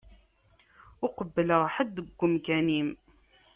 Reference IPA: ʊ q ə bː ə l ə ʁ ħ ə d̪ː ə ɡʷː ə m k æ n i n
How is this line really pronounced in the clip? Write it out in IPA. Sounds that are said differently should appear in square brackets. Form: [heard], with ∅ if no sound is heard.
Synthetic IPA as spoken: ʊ q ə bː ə l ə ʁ ħ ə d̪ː ə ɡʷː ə m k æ n i [m]